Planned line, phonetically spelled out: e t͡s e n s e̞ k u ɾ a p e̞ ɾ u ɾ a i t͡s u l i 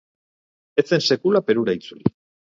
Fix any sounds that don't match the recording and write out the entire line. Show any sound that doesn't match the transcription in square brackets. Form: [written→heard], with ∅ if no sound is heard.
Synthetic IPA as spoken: e t͡s e n s e̞ k u [ɾ→l] a p e̞ ɾ u ɾ a i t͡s u l i